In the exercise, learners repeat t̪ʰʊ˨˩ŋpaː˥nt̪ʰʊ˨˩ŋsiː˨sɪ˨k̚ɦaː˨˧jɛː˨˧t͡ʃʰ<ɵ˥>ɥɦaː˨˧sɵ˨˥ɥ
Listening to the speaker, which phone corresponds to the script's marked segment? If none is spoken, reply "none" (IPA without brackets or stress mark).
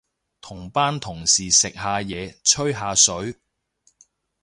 ɵ˥